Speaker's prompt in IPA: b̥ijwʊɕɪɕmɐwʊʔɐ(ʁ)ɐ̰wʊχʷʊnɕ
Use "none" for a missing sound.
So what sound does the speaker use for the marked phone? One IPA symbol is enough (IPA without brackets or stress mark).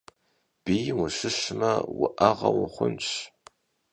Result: ʁ